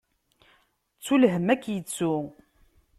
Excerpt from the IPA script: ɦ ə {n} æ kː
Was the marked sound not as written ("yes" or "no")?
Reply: yes